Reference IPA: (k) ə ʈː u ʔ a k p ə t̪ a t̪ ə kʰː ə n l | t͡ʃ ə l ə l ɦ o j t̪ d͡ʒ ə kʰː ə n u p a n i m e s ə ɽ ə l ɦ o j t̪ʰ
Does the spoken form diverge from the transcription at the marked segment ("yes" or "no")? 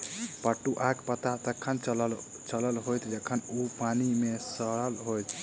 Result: yes